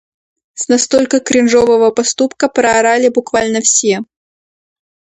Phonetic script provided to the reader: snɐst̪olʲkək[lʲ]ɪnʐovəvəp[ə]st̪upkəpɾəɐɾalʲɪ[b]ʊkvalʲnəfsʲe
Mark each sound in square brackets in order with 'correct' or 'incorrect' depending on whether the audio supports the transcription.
incorrect: ɾʲ, incorrect: ɐ, correct

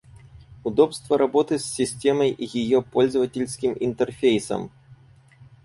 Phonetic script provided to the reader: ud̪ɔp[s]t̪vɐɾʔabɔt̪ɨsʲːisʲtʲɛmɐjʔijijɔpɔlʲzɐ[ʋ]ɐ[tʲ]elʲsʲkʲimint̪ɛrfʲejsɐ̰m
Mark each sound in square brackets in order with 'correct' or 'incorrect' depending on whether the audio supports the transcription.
correct, incorrect: v, correct

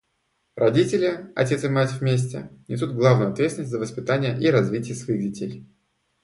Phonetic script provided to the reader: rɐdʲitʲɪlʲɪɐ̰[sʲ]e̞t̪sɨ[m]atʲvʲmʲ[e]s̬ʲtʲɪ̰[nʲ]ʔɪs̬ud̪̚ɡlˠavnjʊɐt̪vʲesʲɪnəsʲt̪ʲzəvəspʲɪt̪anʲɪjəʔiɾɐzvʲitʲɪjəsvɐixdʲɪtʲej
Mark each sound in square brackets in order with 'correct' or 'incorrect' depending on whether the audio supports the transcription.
incorrect: tʲ, correct, correct, correct

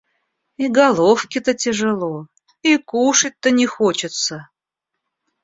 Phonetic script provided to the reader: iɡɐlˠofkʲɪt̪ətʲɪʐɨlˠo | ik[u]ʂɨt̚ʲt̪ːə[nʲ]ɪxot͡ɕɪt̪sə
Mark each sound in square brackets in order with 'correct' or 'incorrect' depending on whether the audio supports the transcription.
correct, correct

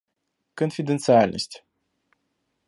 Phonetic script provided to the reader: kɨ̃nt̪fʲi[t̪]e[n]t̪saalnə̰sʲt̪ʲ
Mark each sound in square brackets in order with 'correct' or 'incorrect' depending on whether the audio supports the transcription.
incorrect: d̪, correct

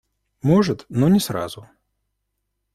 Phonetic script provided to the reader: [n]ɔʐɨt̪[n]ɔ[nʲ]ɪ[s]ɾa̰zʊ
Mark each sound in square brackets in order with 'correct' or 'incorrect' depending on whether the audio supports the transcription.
incorrect: m, correct, correct, correct

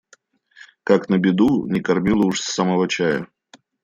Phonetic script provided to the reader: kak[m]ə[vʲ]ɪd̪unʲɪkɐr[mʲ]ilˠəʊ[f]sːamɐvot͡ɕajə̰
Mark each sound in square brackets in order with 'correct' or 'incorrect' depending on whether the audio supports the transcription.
incorrect: n, incorrect: bʲ, correct, incorrect: ʂ

